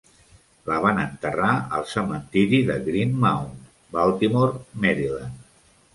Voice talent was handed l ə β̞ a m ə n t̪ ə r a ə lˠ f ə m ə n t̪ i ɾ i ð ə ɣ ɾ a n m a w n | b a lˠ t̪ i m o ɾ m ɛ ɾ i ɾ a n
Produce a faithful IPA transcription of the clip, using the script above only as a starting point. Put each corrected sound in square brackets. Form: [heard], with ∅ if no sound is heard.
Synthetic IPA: l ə β̞ a [n] ə n t̪ ə r a ə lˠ [s] ə m ə n t̪ i ɾ i ð ə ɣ ɾ [i] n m a w n | b a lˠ t̪ i m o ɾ m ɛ ɾ i [l] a n